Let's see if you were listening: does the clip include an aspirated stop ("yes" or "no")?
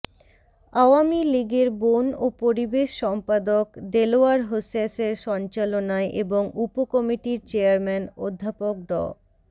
no